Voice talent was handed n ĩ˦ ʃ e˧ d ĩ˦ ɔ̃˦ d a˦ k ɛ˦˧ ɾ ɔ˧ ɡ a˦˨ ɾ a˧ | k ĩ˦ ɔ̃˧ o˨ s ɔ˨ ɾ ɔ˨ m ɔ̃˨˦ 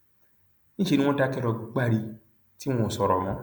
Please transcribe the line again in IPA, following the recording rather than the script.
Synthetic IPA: n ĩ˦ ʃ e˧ n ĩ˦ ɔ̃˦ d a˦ k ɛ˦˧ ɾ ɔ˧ ɡ͡b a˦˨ ɾ i˧ | t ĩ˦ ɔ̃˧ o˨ s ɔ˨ ɾ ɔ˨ m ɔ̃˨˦